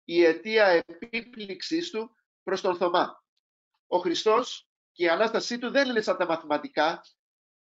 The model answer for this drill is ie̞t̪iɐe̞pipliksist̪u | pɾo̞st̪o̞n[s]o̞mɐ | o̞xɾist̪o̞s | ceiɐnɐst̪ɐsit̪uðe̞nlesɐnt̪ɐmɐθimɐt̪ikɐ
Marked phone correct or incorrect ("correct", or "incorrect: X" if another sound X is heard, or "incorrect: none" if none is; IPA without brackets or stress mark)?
incorrect: θ